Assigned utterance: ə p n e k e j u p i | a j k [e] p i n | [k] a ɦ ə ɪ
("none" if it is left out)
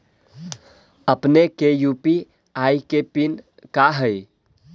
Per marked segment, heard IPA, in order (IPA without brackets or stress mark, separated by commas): e, k